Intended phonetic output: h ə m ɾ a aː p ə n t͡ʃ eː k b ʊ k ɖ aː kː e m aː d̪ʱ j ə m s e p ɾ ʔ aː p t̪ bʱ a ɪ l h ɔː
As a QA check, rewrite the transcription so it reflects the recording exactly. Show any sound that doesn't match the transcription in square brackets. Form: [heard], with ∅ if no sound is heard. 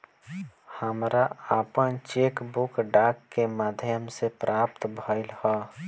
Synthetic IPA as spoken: h ə m ɾ a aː p ə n t͡ʃ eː k b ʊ k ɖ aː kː e m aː d̪ʱ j ə m s e p ɾ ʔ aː p t̪ bʱ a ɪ l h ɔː